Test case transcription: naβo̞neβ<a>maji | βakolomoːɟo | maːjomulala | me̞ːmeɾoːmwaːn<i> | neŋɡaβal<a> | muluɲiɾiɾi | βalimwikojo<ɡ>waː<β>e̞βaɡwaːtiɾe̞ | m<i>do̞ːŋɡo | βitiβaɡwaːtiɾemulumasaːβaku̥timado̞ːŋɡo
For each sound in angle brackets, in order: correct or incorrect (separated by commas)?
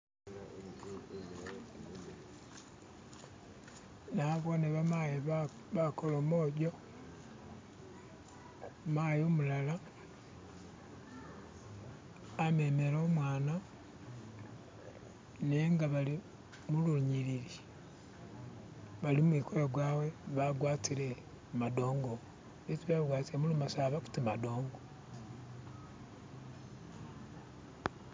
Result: correct, incorrect, incorrect, correct, incorrect, incorrect